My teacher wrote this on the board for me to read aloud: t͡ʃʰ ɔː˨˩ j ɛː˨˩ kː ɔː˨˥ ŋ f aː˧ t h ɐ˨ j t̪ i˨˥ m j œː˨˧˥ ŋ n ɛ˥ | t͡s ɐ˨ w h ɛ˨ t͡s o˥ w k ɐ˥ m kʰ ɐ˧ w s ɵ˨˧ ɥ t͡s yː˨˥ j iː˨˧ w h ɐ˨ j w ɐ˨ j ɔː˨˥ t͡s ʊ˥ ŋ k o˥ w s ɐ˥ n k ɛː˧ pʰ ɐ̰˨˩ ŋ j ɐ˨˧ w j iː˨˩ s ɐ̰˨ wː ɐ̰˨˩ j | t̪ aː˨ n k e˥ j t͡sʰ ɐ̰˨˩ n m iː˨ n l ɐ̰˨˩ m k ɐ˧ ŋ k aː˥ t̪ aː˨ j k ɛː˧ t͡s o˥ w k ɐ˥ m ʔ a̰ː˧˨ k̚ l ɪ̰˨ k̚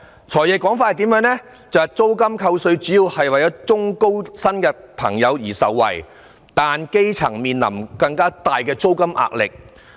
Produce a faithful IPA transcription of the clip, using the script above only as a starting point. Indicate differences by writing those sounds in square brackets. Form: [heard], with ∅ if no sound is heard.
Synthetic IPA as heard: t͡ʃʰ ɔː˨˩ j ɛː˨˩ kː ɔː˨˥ ŋ f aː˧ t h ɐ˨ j t̪ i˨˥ m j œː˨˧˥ ŋ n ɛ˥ | t͡s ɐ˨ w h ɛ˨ t͡s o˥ w k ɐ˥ m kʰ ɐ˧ w s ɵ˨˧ ɥ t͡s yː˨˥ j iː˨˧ w h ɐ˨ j w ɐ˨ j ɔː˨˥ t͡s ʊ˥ ŋ k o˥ w s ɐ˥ n k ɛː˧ pʰ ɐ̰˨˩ ŋ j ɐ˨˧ w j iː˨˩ s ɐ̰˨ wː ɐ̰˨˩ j | t̪ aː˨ n k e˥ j t͡sʰ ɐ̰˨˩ [ŋ] m iː˨ n l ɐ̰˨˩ m k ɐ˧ ŋ k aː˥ t̪ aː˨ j k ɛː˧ t͡s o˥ w k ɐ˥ m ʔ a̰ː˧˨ k̚ l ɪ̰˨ k̚